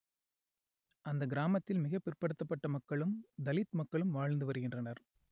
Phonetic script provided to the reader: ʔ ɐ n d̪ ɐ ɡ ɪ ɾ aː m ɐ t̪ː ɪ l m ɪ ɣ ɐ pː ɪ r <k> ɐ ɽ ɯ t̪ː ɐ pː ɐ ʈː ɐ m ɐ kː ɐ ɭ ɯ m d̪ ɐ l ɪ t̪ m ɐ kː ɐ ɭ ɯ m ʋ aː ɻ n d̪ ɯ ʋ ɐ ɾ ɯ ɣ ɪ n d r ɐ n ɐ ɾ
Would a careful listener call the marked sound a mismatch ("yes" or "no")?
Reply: yes